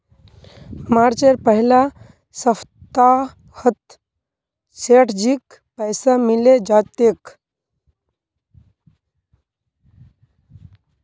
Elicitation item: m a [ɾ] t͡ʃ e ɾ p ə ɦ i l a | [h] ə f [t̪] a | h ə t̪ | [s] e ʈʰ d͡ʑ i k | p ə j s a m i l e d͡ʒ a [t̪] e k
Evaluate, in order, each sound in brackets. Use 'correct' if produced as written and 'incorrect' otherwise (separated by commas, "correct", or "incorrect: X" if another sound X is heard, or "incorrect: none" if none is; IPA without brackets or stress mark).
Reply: correct, incorrect: s, correct, correct, correct